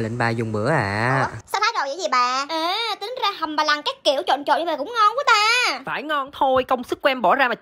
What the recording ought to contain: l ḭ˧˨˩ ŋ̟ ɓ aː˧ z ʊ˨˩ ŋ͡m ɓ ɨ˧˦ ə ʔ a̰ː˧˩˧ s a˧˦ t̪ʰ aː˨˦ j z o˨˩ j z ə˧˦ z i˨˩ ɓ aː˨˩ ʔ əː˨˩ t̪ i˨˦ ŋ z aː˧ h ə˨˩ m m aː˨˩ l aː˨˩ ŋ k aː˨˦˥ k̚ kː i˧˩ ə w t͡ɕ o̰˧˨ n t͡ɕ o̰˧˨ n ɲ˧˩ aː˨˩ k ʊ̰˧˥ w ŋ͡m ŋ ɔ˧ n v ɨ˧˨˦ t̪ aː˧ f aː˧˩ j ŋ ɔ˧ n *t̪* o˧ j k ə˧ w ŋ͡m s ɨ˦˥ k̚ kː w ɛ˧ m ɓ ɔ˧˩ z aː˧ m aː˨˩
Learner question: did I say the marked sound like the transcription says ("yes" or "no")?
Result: no